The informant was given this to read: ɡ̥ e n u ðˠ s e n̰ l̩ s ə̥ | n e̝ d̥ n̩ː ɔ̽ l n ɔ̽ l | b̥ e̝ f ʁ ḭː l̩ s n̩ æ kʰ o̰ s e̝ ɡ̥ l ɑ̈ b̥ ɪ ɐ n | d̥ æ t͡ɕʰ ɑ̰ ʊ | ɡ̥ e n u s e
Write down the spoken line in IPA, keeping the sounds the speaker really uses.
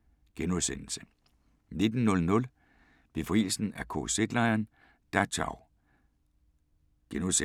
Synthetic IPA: ɡ̥ e n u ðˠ s e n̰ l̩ s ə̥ | n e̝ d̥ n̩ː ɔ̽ l n ɔ̽ l | b̥ e̝ f ʁ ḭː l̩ s n̩ æ kʰ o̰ s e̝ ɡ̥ l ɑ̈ ɪ ɐ n | d̥ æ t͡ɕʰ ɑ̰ ʊ | ɡ̥ e n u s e